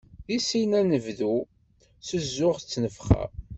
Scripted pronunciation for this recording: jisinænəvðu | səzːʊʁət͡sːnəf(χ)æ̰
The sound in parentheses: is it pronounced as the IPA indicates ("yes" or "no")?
yes